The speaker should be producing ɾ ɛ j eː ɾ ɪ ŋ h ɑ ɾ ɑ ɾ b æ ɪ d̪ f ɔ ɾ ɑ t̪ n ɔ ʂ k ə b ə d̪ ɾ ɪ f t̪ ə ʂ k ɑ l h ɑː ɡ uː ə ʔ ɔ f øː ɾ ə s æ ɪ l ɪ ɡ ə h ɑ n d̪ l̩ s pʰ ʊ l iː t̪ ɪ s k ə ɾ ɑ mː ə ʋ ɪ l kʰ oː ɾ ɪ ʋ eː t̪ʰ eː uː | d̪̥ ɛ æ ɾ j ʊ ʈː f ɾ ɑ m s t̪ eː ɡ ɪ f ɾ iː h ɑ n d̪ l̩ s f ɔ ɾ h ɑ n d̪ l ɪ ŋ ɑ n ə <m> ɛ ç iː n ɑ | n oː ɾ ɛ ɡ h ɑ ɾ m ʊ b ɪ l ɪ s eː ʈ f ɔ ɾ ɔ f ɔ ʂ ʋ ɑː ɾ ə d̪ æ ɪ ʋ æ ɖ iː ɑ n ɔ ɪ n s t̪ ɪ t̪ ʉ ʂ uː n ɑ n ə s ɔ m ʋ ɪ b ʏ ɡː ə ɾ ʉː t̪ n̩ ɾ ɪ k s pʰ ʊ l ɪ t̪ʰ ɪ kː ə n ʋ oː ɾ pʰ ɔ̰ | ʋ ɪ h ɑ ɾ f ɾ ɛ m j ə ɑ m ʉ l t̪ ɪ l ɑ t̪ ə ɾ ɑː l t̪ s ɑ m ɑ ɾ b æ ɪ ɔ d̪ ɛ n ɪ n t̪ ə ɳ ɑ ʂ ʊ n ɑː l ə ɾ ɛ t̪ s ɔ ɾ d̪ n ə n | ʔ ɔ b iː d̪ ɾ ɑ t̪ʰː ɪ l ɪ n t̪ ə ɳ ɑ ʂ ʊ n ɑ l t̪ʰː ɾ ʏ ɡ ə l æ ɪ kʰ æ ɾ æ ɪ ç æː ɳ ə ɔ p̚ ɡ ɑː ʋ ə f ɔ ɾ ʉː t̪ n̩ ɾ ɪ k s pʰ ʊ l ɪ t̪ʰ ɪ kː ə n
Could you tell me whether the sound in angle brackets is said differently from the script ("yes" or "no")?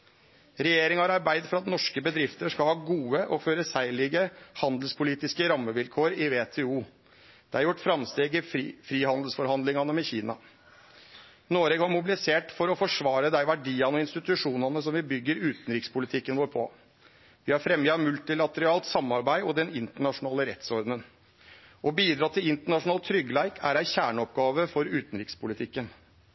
no